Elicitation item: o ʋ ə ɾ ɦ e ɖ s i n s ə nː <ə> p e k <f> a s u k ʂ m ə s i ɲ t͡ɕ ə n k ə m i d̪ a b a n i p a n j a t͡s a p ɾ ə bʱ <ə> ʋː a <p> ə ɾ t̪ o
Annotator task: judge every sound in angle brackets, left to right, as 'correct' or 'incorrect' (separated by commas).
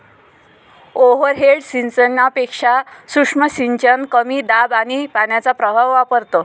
incorrect, incorrect, incorrect, correct